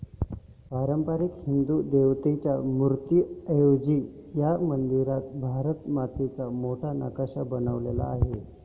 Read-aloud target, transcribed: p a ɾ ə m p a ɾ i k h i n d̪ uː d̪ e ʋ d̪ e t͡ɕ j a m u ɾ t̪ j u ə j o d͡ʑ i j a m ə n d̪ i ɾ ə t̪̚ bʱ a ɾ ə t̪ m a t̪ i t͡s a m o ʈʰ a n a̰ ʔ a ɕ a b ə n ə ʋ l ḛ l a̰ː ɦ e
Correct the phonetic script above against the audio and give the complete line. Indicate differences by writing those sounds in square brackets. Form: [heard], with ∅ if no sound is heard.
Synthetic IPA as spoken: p a ɾ ə m p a ɾ i k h i n d̪ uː d̪ e ʋ [t̪] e t͡ɕ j a m u ɾ t̪ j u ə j o d͡ʑ i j a m ə n d̪ i ɾ [a] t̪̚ bʱ a ɾ ə t̪ m a t̪ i t͡s a m o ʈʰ a n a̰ [k] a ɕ a b ə n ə ʋ l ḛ l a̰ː ɦ e